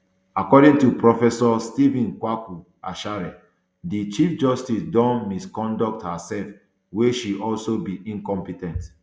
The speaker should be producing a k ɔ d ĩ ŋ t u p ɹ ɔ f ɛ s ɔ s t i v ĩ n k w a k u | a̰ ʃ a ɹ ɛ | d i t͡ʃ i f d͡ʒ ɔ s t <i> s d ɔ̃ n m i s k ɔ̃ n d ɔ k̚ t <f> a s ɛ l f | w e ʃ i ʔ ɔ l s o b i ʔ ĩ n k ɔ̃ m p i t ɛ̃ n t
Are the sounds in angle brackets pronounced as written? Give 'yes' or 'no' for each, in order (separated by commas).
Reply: yes, no